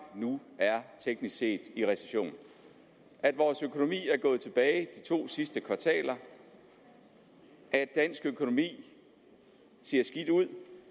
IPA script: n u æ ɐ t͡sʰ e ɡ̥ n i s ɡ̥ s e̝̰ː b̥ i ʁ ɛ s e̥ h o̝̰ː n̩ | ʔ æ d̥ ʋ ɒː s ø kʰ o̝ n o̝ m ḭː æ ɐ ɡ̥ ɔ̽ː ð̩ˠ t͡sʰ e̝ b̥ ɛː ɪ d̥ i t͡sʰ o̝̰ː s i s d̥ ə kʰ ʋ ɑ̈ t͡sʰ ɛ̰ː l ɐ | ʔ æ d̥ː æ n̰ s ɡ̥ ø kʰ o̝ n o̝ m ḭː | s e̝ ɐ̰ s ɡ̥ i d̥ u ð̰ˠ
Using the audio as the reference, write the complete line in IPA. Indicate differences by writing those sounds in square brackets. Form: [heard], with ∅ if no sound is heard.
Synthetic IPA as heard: n u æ ɐ t͡sʰ e ɡ̥ n i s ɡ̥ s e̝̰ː [d̥] i ʁ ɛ s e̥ [ɕ] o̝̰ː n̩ | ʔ æ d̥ ʋ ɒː s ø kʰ o̝ n o̝ m ḭː æ ɐ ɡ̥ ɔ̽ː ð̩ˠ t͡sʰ e̝ b̥ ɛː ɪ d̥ i t͡sʰ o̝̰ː s i s d̥ ə kʰ ʋ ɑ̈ t͡sʰ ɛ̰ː l ɐ | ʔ æ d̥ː æ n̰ s ɡ̥ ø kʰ o̝ n o̝ m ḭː | s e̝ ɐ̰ s ɡ̥ i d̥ u ð̰ˠ